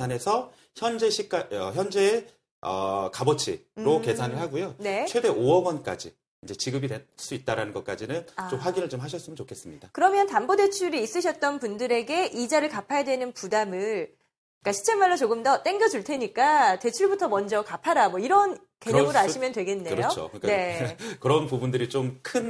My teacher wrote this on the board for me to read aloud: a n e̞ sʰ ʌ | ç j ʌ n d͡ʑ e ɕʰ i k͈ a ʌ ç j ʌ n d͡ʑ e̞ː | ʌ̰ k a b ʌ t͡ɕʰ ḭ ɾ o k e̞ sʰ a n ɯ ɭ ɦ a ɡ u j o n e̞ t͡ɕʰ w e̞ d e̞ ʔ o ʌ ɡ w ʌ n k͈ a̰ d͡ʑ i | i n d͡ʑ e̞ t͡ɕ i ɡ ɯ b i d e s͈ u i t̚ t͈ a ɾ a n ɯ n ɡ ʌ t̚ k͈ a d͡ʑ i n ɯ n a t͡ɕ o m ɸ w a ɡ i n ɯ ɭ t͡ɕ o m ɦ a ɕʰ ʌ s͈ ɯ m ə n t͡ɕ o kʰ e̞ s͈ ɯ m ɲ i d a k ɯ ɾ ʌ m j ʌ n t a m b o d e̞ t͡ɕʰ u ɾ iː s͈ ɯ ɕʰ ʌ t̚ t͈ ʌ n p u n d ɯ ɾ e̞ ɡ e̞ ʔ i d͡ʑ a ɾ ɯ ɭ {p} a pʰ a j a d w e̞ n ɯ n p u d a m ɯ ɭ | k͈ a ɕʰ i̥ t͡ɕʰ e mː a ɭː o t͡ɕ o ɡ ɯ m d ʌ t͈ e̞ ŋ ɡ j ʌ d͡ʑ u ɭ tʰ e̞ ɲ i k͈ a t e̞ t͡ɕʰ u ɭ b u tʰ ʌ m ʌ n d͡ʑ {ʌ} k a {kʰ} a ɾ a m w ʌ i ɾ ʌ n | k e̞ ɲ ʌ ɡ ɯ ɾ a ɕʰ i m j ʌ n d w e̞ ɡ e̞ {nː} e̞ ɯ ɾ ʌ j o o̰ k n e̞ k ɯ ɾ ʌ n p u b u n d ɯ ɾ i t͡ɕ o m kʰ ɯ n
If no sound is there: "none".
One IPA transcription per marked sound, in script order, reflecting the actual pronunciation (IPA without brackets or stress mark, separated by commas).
k, ʌ, pʰ, nː